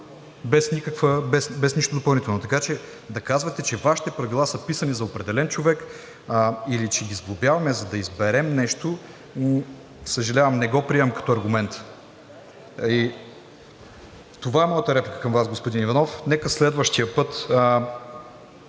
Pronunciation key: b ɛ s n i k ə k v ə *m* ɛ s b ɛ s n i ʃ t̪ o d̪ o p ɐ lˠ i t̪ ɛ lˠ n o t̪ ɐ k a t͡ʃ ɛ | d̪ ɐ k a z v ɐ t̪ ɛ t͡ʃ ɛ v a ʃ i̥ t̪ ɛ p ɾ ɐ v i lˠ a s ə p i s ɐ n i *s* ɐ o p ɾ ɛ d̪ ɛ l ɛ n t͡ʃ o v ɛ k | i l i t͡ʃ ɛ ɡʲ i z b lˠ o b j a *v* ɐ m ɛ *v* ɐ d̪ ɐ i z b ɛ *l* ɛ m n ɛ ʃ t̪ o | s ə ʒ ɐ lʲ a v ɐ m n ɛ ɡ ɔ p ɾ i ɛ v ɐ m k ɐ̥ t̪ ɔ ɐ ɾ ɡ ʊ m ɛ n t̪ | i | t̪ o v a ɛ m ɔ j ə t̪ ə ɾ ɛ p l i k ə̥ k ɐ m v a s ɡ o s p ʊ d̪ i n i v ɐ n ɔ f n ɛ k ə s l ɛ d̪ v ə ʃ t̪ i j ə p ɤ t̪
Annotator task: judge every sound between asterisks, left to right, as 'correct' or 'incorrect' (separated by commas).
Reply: incorrect, incorrect, correct, incorrect, incorrect